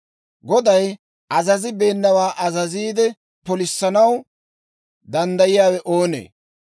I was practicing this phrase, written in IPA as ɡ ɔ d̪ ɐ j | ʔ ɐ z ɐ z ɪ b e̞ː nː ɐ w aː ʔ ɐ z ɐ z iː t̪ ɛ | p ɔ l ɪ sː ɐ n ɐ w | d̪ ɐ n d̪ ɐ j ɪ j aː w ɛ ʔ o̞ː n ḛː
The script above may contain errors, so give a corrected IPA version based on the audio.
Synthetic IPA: ɡ ɔ d̪ ɐ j | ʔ ɐ z ɐ z ɪ b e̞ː nː ɐ w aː ʔ ɐ z ɐ z iː d̪ ɛ | p ɔ l ɪ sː ɐ n ɐ w | d̪ ɐ n d̪ ɐ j ɪ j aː w ɛ ʔ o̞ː n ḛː